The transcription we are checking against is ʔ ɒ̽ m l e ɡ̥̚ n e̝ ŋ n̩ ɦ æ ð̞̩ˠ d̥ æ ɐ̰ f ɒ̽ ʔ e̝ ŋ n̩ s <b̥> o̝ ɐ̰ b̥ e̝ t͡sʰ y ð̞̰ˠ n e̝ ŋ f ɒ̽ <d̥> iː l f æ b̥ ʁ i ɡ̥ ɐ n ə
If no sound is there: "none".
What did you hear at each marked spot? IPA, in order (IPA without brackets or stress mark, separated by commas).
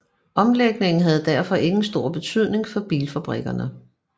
d̥, b̥